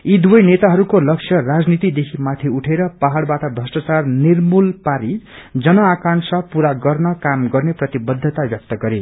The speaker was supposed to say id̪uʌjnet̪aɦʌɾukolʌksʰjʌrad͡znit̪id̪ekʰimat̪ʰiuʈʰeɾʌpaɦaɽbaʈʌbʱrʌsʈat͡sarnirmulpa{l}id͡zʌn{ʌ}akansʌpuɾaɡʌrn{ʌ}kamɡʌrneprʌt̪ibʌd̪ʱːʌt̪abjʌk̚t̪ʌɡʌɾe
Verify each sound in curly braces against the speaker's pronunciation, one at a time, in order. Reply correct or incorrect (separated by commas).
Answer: incorrect, correct, correct